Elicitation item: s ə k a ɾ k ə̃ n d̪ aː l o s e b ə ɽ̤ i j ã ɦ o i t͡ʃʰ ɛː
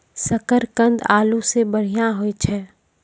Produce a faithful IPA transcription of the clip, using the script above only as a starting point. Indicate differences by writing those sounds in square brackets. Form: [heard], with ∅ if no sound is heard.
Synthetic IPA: s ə k [ə] ɾ k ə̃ n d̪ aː l [u] s e b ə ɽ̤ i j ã ɦ o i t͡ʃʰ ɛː